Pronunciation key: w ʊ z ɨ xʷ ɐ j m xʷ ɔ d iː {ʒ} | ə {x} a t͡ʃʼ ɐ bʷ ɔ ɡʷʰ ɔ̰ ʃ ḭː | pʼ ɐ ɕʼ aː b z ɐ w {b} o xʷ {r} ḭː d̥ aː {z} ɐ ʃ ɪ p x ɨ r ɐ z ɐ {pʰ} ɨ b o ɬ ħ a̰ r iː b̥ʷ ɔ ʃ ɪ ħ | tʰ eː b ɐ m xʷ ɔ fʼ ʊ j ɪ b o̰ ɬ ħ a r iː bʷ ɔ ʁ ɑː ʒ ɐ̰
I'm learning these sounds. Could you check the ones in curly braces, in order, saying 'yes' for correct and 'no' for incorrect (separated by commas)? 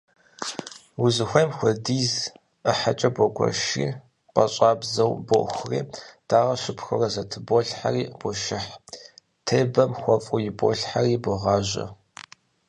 no, no, yes, yes, no, no